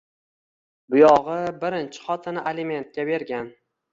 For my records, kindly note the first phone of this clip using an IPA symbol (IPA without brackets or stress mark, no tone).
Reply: b